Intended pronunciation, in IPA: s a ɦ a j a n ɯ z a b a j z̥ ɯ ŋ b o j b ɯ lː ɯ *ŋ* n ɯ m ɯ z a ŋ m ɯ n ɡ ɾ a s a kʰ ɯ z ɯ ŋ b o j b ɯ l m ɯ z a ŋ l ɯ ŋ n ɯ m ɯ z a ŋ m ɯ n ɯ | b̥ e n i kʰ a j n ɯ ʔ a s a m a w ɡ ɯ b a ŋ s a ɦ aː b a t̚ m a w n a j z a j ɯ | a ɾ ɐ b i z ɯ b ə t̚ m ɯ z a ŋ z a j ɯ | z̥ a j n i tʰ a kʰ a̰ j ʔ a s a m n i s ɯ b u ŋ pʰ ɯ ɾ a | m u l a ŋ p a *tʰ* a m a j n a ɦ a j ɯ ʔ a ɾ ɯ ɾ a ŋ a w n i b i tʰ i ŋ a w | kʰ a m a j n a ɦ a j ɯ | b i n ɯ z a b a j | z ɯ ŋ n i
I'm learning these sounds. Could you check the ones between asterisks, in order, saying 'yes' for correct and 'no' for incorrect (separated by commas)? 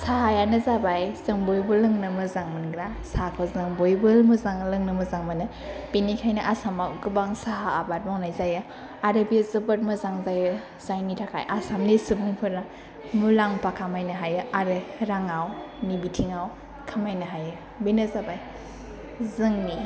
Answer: yes, no